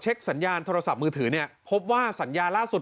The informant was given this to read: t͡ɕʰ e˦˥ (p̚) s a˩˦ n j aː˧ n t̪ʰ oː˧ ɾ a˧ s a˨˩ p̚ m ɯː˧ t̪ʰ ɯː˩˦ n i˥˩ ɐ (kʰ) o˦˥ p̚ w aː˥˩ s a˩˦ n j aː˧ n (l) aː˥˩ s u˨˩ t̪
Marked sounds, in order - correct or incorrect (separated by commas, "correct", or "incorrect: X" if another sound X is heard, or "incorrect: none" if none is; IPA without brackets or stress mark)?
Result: incorrect: k̚, incorrect: pʰ, correct